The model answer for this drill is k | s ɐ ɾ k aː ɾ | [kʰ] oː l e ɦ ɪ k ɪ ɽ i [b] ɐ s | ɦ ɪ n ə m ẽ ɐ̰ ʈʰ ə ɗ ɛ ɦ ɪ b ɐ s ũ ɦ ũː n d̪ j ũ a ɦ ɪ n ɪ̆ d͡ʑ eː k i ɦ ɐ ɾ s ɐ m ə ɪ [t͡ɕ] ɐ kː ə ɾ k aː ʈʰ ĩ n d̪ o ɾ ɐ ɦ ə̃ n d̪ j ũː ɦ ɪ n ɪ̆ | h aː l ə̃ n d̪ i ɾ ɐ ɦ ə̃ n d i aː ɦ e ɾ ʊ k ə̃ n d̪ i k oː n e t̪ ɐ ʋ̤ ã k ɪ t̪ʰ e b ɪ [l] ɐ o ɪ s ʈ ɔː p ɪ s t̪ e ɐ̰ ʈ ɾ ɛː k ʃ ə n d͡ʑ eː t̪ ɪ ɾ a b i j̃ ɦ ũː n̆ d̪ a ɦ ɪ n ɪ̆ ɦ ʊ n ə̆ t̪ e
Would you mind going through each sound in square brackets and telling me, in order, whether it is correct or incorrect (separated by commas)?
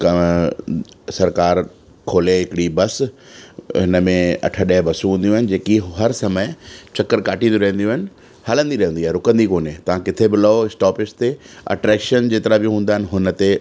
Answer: correct, correct, correct, correct